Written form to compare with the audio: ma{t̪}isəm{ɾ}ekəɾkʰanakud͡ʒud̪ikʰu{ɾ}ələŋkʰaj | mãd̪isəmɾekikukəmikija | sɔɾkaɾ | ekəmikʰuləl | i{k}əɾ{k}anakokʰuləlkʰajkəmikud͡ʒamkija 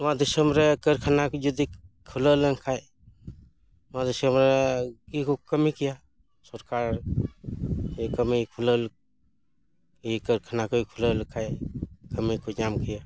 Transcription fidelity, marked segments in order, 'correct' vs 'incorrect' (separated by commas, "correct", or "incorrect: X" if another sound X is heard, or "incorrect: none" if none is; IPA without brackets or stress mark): incorrect: d̪, correct, incorrect: l, correct, incorrect: kʰ